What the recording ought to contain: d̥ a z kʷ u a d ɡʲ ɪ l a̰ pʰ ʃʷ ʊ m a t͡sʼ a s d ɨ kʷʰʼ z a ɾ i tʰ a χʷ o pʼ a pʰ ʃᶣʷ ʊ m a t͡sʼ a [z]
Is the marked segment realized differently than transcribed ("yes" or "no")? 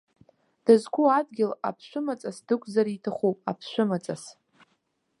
yes